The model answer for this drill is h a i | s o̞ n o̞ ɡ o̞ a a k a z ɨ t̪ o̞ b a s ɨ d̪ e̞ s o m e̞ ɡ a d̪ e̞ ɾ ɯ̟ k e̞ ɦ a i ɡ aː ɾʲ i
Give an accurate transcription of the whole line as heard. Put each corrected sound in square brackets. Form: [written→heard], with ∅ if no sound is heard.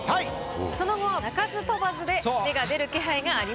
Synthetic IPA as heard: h a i | s o̞ n o̞ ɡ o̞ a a k a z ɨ t̪ o̞ b a [s→z] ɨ d̪ e̞ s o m e̞ ɡ a d̪ e̞ ɾ ɯ̟ k e̞ ɦ a i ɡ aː ɾʲ i